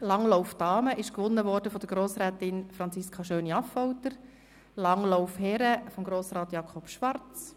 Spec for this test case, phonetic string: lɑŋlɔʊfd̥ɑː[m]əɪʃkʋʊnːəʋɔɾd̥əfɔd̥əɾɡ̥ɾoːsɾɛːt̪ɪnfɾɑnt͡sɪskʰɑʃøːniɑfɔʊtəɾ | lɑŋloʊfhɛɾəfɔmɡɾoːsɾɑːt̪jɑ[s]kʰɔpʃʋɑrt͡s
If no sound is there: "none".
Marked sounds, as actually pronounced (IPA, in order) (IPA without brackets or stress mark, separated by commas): m, none